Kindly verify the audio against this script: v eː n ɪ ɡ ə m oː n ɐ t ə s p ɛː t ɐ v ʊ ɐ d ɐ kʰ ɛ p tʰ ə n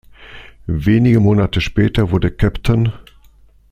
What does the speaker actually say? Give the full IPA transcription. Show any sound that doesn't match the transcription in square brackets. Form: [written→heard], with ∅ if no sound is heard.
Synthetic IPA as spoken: v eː n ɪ ɡ ə m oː n [ɐ→a] t ə [s→ʃ] p ɛː t ɐ v ʊ ɐ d [ɐ→ə] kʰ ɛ p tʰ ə n

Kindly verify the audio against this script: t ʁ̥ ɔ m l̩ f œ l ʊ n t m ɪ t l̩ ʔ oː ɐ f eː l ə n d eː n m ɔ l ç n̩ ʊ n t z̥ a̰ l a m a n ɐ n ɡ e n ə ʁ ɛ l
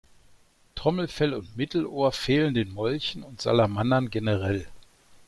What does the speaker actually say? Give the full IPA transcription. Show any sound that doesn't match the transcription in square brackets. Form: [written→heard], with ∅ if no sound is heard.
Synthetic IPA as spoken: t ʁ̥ ɔ m l̩ f [œ→ɛ] l ʊ n t m ɪ t l̩ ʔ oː ɐ f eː l ə n d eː n m ɔ l ç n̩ ʊ n t z̥ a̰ l a m a n ɐ n ɡ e n ə ʁ ɛ l

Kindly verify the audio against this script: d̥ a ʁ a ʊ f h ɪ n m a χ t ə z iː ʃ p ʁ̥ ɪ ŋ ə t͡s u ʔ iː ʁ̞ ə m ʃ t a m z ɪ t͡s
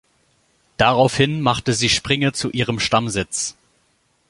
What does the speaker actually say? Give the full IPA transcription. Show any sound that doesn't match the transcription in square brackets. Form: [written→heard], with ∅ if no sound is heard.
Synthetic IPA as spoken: d̥ a ʁ a ʊ f h ɪ n m a χ t ə z iː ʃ p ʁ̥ ɪ ŋ ə t͡s u ʔ iː ʁ̞ ə m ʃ t a m z ɪ t͡s

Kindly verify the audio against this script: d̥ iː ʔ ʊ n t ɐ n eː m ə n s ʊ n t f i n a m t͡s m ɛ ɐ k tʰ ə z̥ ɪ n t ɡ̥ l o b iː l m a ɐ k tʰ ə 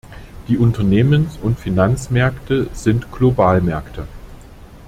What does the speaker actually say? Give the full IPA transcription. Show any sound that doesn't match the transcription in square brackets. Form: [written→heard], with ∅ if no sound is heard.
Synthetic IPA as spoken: d̥ iː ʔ ʊ n t ɐ n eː m ə n s ʊ n t f i n a [m→n] t͡s m ɛ ɐ k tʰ ə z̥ ɪ n t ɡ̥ l o b [iː→aː] l m [a→ɛ] ɐ k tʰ ə

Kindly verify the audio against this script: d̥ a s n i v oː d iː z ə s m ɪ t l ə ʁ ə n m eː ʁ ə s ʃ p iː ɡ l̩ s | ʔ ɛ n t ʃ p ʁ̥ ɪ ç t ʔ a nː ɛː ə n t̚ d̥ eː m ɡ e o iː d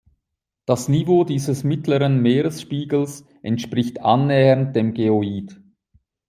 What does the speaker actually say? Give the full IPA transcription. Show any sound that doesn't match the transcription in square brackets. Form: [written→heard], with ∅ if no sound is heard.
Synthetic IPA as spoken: d̥ a s n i v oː d iː z ə s m ɪ t l ə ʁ ə n m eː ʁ ə s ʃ p iː ɡ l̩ s | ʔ ɛ n t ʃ p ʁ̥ ɪ ç t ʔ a nː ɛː ə n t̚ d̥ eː m ɡ e o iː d

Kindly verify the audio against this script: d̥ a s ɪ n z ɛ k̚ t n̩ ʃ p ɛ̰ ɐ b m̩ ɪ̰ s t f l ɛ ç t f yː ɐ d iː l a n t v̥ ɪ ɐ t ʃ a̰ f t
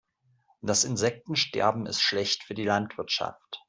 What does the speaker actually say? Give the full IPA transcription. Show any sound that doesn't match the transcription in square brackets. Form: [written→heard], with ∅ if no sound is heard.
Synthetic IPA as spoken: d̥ a s ɪ n z ɛ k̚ t n̩ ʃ [p→t] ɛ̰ ɐ b m̩ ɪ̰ s t [f→ʃ] l ɛ ç t f yː ɐ d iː l a n t v̥ ɪ ɐ t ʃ a̰ f t

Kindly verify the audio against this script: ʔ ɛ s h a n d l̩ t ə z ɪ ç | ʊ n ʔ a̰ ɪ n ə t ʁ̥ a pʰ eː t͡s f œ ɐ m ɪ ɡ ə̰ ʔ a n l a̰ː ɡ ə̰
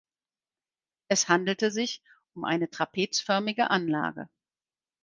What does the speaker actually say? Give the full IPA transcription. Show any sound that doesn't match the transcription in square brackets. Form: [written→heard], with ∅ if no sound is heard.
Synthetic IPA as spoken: ʔ ɛ s h a n d l̩ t ə z ɪ ç | ʊ [n→m] ʔ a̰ ɪ n ə t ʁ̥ a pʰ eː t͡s f œ ɐ m ɪ ɡ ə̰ ʔ a n l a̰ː ɡ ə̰

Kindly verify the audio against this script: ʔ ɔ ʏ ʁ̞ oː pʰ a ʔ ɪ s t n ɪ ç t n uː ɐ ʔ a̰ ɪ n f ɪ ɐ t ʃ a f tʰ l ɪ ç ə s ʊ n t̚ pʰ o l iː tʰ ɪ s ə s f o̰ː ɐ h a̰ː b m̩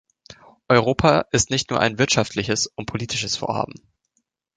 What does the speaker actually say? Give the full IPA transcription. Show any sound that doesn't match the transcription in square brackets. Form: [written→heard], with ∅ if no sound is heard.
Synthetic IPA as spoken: ʔ ɔ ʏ ʁ̞ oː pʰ a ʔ ɪ s t n ɪ ç t n uː ɐ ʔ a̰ ɪ n [f→v] ɪ ɐ t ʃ a f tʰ l ɪ ç ə s ʊ n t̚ pʰ o l iː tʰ ɪ [s→ʃ] ə s f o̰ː ɐ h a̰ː b m̩

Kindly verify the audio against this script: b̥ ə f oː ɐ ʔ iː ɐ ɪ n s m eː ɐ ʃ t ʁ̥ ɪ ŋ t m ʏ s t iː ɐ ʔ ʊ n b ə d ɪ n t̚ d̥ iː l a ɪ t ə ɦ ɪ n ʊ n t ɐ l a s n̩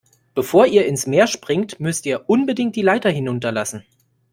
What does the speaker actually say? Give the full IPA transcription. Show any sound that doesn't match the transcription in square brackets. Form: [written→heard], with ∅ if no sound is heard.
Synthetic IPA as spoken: b̥ ə f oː ɐ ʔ iː ɐ ɪ n s m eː ɐ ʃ [t→p] ʁ̥ ɪ ŋ t m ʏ s t iː ɐ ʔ ʊ n b ə d ɪ [n→ŋ] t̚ d̥ iː l a ɪ t [ə→ɐ] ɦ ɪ n ʊ n t ɐ l a s n̩

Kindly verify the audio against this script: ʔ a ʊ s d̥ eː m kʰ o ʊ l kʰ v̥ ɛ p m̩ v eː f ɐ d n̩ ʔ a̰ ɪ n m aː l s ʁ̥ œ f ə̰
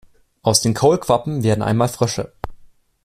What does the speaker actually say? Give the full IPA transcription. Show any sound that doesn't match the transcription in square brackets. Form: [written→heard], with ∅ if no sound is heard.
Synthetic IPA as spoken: ʔ a ʊ s d̥ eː [m→n] kʰ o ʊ l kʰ v̥ [ɛ→a] p m̩ v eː [f→∅] ɐ d n̩ ʔ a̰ ɪ n m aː l [s→f] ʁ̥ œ [f→ʃ] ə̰

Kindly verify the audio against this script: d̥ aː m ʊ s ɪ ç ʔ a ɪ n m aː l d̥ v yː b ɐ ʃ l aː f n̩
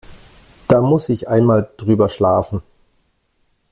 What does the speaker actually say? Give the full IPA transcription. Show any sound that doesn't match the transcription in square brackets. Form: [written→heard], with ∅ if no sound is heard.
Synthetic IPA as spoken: d̥ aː m ʊ s ɪ ç ʔ a ɪ n m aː l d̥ [v→ʁ] yː b ɐ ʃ l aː f n̩

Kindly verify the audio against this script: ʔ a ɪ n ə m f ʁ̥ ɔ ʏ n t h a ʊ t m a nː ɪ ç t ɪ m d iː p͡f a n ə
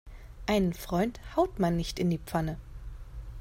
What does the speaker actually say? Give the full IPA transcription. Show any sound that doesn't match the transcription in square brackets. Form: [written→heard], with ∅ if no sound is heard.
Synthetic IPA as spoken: ʔ a ɪ n ə [m→n] f ʁ̥ ɔ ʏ n t h a ʊ t m a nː ɪ ç t ɪ [m→n] d iː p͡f a n ə

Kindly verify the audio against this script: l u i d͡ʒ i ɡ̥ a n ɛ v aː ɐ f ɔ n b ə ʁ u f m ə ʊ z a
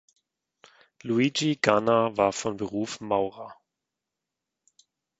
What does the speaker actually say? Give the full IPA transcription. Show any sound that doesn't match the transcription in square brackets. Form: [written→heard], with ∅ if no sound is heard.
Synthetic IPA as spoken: l u i d͡ʒ i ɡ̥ a n [ɛ→a] v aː ɐ f ɔ n b ə ʁ [u→uː] f m [ə→a] ʊ [z→ʁ] a

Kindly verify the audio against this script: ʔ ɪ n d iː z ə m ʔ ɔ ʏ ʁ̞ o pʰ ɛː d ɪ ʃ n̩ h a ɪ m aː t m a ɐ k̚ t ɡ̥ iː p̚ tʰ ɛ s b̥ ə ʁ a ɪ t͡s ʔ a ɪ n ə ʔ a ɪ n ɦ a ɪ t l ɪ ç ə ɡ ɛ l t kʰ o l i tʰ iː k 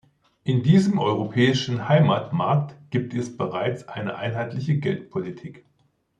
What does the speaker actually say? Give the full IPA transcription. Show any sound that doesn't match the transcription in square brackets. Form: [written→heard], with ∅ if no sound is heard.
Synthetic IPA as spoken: ʔ ɪ n d iː z ə m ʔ ɔ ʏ ʁ̞ o pʰ ɛː [d→∅] ɪ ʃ n̩ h a ɪ m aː t m a ɐ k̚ t ɡ̥ iː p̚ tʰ ɛ s b̥ ə ʁ a ɪ t͡s ʔ a ɪ n ə ʔ a ɪ n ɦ a ɪ t l ɪ ç ə ɡ ɛ l t [kʰ→pʰ] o l i tʰ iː k

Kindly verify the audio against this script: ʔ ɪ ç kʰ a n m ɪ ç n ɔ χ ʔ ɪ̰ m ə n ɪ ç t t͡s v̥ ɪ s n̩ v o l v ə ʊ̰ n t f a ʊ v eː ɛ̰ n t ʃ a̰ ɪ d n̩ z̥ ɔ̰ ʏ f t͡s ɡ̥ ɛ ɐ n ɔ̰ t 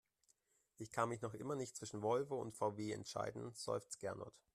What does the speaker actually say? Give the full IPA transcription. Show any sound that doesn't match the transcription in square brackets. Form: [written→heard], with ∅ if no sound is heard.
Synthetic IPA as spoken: ʔ ɪ ç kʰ a n m ɪ ç n ɔ χ ʔ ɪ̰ m [ə→ɐ] n ɪ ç t t͡s v̥ ɪ [s→ʃ] n̩ v [o→ɔ] l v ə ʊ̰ n t f a ʊ v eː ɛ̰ n t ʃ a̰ ɪ d n̩ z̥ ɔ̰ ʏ f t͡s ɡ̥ ɛ ɐ n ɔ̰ t

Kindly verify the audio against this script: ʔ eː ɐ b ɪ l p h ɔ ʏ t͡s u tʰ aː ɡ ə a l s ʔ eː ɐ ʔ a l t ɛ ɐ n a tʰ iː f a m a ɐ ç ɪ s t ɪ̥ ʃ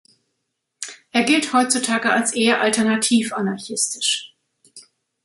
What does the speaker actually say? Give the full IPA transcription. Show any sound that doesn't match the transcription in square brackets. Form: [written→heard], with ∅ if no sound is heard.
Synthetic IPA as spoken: ʔ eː ɐ [b→ɡ] ɪ l [p→t] h ɔ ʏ t͡s u tʰ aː ɡ ə a l s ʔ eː ɐ ʔ a l t ɛ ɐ n a tʰ iː f a [m→n] a ɐ ç ɪ s t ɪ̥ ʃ

